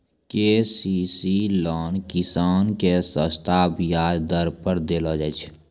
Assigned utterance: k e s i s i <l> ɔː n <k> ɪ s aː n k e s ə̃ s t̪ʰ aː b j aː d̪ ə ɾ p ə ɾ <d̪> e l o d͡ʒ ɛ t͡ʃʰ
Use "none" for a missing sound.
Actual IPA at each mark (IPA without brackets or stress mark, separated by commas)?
l, k, d̪